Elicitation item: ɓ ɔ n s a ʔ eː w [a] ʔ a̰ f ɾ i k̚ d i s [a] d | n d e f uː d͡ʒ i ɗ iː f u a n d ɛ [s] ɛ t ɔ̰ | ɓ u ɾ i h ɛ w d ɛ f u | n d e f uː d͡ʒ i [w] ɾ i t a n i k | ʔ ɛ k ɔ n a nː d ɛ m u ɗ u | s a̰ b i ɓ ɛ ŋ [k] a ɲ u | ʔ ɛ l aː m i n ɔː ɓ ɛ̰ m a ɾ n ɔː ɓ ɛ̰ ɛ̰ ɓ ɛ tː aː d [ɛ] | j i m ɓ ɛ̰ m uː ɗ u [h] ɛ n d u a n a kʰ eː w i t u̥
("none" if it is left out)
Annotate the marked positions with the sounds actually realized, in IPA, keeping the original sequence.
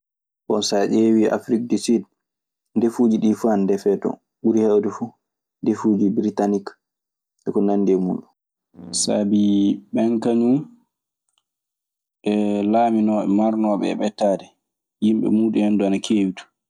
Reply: i, i, f, b, k, ɛ, h

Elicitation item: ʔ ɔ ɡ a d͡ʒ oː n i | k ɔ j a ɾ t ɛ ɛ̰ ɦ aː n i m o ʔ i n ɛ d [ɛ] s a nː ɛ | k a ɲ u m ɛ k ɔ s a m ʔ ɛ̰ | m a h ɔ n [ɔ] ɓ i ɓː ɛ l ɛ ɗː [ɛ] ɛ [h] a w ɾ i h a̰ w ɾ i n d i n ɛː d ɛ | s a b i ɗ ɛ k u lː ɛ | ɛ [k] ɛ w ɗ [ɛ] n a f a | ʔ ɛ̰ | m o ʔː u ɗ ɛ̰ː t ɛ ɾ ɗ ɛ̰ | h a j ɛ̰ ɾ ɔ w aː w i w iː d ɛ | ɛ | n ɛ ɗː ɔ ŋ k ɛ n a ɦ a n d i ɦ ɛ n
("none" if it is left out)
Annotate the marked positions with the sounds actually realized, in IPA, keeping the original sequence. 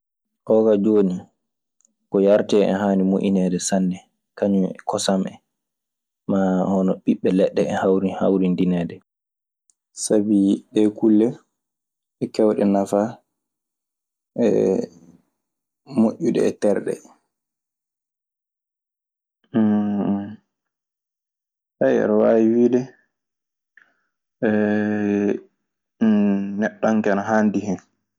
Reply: ɛ, ɔ, ɛ, h, k, ɛ

